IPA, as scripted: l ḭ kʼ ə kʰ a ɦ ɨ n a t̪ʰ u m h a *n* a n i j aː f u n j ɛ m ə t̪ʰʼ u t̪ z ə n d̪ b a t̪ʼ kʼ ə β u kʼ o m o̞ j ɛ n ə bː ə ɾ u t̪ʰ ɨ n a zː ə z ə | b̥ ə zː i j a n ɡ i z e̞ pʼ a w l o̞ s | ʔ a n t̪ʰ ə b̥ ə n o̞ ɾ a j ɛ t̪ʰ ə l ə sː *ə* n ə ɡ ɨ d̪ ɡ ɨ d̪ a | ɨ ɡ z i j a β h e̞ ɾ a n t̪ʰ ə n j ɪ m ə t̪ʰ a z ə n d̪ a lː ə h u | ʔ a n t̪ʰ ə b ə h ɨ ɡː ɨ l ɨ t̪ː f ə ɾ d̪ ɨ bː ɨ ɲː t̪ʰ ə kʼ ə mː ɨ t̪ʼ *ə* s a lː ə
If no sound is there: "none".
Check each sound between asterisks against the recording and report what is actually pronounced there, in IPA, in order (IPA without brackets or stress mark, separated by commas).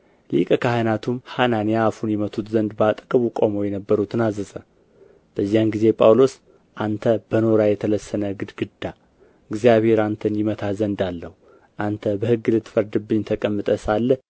n, ə, ə